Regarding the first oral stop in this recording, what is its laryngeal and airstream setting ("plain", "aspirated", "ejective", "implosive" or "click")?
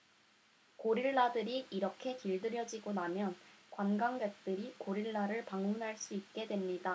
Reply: plain